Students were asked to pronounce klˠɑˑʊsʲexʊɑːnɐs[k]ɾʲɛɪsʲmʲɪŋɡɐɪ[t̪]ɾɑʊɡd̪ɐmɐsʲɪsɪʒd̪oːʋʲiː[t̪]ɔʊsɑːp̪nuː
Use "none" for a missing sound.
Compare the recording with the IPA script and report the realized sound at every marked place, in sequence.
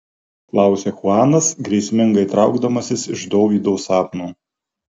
ɡ, t̪, d̪

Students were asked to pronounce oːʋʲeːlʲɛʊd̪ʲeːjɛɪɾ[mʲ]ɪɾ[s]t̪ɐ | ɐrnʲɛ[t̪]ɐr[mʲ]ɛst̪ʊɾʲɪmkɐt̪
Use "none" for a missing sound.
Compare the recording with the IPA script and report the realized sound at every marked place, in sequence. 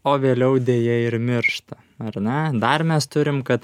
mʲ, ʃ, d̪, mʲ

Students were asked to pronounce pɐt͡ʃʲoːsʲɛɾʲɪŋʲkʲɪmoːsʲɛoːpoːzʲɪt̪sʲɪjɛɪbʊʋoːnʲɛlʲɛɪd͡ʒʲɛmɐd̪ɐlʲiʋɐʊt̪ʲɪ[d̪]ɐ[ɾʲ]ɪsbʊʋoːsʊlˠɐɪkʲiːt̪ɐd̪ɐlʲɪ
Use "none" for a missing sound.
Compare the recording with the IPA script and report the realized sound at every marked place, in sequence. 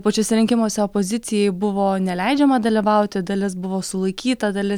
d̪, lʲ

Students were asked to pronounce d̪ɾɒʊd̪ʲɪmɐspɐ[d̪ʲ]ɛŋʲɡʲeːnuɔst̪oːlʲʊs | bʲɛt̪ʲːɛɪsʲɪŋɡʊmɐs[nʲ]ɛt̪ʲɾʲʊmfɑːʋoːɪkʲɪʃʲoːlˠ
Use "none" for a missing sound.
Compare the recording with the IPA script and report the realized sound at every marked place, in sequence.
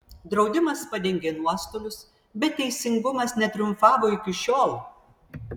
d̪ʲ, nʲ

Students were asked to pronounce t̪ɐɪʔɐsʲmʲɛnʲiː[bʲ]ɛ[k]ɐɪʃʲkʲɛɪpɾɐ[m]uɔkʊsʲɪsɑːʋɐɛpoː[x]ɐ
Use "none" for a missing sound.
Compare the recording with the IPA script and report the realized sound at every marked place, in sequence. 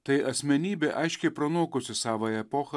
bʲ, ʔ, n, x

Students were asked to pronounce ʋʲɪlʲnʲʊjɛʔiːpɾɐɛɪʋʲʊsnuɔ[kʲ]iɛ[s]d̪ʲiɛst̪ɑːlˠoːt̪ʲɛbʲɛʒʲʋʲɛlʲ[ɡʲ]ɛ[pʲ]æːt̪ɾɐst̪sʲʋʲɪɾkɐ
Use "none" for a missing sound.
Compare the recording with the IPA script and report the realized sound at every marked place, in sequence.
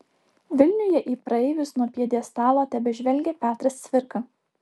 pʲ, none, ɡʲ, pʲ

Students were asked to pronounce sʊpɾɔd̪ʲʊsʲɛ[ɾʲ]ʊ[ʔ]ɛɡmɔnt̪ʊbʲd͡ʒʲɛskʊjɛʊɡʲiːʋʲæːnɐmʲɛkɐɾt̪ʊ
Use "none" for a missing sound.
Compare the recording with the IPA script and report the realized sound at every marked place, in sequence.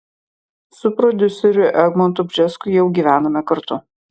ɾʲ, ʔ

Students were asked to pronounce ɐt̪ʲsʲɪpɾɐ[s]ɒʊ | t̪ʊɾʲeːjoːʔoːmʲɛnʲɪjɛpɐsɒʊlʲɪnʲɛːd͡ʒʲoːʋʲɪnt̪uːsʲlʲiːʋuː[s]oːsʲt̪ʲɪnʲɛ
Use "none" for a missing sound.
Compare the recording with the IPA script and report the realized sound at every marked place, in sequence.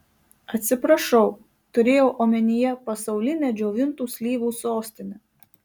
ʃ, s

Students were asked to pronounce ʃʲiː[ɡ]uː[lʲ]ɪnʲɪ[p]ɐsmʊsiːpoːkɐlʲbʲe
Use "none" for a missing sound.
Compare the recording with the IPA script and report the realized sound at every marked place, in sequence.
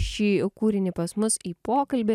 k, ɾʲ, p

